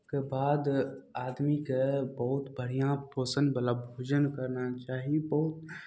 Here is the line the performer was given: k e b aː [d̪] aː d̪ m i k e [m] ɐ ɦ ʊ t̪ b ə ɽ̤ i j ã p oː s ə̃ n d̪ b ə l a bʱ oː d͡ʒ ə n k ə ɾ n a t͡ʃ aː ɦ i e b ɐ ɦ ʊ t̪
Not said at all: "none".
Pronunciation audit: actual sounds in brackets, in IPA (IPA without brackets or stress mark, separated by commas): d̪, b